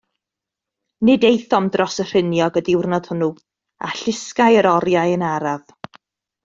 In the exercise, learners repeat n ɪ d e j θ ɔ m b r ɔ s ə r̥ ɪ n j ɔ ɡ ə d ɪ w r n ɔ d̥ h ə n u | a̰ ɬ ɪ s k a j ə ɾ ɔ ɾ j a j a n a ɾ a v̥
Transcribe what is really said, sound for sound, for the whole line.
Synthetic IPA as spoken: n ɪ d e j θ ɔ m d r ɔ s ə r̥ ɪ n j ɔ ɡ ə d ɪ w r n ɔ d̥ h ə n u | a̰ ɬ ɪ s k a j ə ɾ ɔ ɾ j a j ə n a ɾ a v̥

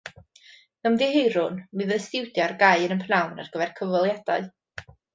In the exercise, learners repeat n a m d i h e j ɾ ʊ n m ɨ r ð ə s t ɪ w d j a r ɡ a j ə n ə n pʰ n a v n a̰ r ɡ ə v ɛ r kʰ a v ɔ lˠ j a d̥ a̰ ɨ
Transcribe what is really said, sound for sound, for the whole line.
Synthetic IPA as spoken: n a m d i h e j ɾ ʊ n m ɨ ð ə s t ɪ w d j a r ɡ a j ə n ə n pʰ n a w n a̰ r ɡ ə v ɛ r kʰ ə v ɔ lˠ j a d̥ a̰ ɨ

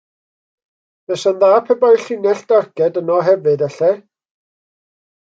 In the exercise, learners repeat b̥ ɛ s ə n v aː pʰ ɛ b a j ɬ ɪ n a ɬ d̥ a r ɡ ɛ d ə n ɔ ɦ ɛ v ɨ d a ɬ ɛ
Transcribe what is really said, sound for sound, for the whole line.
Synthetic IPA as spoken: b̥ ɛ s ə n ð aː pʰ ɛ b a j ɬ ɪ n ɛ ɬ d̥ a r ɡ ɛ d ə n ɔ ɦ ɛ v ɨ d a ɬ ɛ

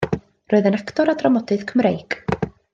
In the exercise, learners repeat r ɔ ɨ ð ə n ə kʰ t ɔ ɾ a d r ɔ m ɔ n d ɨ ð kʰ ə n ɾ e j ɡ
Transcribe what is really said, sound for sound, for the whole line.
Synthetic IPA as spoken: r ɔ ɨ ð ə n a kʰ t ɔ ɾ a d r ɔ m ɔ d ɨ ð kʰ ə m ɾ e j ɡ

